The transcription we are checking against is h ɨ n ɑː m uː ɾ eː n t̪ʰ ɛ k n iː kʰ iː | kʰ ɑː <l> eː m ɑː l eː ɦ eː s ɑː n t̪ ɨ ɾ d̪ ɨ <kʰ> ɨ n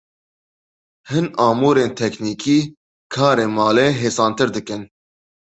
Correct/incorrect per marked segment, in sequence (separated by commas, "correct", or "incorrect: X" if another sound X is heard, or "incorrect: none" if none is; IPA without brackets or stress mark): incorrect: ɾ, incorrect: k